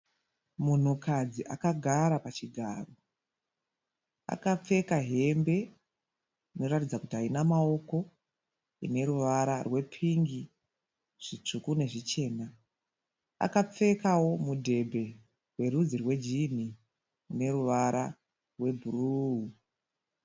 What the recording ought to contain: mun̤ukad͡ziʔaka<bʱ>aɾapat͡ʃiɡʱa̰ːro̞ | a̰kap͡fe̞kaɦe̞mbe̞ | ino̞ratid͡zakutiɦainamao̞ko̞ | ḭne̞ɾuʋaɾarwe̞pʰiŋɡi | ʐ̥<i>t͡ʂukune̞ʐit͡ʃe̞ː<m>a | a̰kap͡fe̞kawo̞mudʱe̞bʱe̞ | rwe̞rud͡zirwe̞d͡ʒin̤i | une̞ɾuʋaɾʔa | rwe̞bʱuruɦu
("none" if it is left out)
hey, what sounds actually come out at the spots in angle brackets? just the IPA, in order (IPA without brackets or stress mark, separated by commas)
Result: ɡʱ, i, n